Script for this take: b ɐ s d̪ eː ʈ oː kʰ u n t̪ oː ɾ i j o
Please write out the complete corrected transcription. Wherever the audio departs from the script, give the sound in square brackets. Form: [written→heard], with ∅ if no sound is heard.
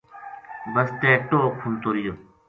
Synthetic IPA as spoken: b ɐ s [d̪→t̪] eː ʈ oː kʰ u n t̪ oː ɾ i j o